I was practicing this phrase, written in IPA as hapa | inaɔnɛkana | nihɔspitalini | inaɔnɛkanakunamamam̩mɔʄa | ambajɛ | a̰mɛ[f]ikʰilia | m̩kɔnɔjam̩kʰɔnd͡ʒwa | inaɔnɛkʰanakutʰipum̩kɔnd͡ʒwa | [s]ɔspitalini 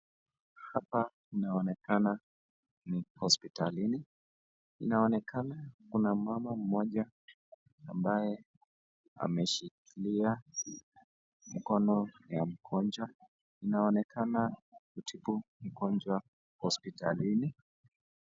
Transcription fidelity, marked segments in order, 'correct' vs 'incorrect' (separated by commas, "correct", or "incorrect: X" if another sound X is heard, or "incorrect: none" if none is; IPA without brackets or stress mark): incorrect: ʃ, incorrect: h